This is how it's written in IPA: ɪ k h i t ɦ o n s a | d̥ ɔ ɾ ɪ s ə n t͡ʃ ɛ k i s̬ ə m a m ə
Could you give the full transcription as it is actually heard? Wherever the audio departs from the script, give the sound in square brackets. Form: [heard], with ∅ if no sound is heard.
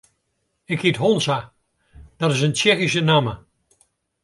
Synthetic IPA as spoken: ɪ k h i t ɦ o n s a | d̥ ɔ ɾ ɪ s ə n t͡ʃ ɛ [x] i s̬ ə [n] a m ə